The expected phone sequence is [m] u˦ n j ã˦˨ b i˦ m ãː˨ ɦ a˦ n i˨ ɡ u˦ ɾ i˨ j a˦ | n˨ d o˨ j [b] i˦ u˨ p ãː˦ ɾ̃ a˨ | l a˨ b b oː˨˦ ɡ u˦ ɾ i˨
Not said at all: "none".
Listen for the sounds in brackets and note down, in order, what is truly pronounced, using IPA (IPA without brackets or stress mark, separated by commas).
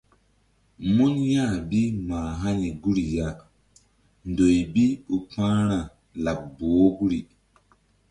m, b